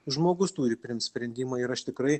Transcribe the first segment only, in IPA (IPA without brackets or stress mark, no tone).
ʒ